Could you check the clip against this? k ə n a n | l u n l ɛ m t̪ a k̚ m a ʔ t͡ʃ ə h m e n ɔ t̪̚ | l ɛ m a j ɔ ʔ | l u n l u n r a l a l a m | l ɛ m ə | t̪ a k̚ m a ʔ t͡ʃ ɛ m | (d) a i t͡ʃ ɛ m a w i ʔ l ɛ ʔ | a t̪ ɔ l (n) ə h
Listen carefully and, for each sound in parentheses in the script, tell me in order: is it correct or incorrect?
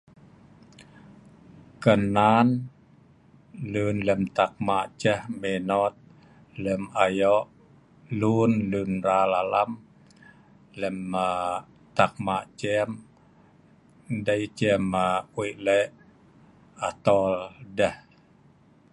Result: correct, incorrect

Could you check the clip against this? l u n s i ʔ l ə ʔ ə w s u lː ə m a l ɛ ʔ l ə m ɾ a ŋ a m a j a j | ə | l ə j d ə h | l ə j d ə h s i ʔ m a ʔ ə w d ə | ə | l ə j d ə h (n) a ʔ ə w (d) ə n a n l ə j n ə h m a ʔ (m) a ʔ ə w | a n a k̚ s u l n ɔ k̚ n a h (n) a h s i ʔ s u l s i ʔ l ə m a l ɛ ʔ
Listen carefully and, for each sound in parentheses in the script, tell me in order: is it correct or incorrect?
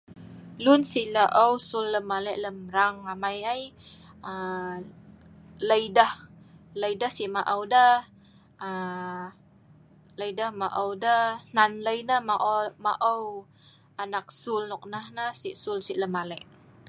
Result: incorrect, correct, correct, correct

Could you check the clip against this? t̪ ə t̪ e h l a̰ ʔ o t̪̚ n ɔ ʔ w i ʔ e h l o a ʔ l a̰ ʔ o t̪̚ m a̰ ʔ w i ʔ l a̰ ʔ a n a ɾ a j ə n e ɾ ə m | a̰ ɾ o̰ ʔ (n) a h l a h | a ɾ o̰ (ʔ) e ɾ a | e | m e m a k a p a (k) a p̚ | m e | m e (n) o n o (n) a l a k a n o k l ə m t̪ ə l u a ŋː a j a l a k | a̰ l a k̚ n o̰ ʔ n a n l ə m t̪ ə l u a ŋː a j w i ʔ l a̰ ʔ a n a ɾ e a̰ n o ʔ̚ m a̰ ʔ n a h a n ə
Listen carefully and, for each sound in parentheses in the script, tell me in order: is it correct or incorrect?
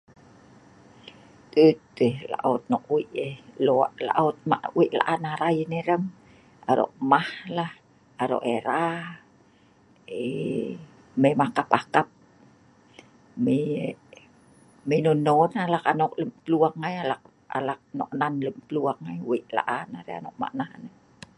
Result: incorrect, correct, correct, correct, correct

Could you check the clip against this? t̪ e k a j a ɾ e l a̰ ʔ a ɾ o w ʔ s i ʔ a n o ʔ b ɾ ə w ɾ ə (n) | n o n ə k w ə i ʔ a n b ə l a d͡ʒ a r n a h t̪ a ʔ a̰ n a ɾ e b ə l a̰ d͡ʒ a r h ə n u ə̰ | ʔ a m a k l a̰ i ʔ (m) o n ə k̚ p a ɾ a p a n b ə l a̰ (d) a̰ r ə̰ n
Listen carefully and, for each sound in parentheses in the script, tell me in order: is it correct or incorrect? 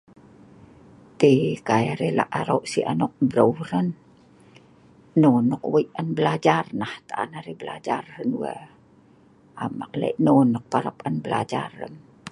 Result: correct, incorrect, incorrect

